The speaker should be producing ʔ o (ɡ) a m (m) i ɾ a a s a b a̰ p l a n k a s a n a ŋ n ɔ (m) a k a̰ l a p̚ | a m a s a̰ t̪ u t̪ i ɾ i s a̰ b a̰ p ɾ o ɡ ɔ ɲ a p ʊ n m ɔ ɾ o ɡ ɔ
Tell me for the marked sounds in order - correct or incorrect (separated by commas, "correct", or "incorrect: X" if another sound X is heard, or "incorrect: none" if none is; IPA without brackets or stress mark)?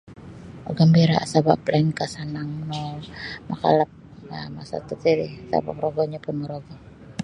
correct, incorrect: b, correct